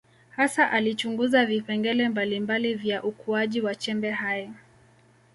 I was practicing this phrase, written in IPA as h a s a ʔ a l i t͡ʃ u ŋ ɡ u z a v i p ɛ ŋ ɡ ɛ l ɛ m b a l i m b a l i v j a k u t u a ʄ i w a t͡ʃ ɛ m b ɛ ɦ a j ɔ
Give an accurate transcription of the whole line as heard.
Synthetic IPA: h a s a ʔ a l i t͡ʃ u ŋ ɡ u z a v i p ɛ ŋ ɡ ɛ l ɛ m b a l i m b a l i v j a ʔ u k u a ʄ i w a t͡ʃ ɛ m b ɛ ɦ a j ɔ